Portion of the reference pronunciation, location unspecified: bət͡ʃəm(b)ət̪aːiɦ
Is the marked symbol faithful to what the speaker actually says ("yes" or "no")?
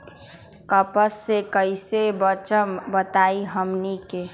yes